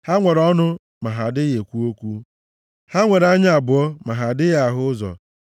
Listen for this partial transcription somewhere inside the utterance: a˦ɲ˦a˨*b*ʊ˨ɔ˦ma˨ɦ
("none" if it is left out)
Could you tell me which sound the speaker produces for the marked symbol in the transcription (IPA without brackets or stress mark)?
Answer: b